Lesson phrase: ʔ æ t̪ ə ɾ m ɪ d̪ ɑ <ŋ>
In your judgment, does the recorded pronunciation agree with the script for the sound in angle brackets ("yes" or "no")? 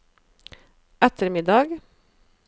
no